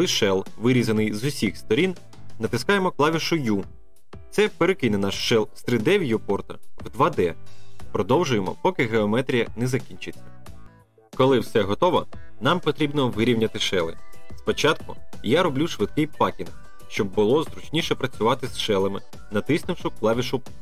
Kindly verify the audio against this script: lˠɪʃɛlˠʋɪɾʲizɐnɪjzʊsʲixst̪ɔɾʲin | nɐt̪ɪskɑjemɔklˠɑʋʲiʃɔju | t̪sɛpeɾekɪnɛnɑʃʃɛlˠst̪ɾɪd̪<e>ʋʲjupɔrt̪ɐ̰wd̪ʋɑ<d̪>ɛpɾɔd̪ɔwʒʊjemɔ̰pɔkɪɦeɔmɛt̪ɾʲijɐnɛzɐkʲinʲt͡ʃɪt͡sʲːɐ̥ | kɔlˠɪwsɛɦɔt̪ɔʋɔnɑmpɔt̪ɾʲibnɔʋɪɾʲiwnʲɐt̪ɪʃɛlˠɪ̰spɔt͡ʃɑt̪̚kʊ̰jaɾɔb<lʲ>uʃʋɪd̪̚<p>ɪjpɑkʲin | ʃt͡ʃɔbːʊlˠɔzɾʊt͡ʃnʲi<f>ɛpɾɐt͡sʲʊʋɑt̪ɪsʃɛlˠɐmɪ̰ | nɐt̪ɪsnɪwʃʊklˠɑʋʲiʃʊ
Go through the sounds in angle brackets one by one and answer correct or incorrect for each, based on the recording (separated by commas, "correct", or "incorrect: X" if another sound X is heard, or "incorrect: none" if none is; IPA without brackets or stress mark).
incorrect: ɛ, correct, correct, incorrect: k, incorrect: ʃ